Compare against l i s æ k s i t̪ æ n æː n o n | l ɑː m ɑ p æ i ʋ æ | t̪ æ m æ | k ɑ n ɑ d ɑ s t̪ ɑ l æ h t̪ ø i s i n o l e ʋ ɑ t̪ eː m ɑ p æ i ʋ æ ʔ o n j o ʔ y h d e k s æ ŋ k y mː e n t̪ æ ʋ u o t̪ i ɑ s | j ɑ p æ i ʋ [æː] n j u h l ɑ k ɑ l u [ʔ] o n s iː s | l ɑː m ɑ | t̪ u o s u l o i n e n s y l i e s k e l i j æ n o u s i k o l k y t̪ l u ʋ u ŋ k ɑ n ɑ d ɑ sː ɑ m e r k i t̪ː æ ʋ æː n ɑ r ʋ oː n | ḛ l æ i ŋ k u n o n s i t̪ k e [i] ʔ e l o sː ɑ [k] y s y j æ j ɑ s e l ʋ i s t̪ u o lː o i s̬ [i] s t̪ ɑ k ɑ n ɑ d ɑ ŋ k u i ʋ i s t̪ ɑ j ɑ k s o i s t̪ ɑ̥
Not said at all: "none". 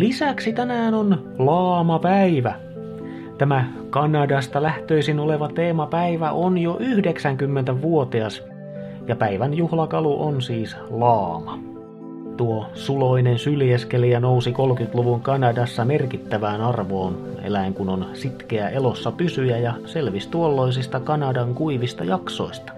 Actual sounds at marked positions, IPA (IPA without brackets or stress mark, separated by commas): æ, ʔ, æ, p, i